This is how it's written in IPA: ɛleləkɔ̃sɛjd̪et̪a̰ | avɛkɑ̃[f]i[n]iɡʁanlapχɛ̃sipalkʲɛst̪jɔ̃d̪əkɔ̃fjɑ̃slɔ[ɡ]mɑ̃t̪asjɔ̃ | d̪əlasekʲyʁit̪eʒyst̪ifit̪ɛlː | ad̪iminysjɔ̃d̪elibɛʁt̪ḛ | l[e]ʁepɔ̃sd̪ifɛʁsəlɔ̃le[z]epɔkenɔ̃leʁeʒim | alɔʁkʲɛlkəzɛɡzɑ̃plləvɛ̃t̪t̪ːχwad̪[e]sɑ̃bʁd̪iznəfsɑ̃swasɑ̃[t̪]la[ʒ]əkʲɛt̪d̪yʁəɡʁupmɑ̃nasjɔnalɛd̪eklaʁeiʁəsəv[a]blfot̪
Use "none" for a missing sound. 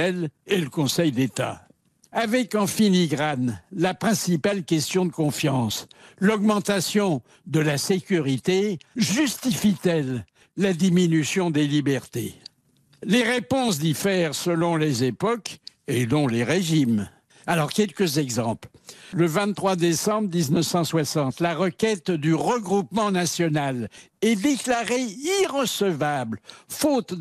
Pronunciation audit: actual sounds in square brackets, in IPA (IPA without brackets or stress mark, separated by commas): f, n, ɡ, e, z, e, t̪, ʁ, a